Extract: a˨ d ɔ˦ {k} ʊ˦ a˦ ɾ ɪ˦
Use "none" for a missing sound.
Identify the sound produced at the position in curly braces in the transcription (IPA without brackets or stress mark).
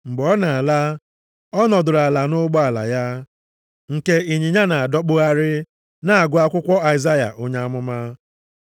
k͡p